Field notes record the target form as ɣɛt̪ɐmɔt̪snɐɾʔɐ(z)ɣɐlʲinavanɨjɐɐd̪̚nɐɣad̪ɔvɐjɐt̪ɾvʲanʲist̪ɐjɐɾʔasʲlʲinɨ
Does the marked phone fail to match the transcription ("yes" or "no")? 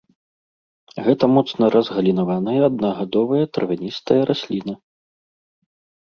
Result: no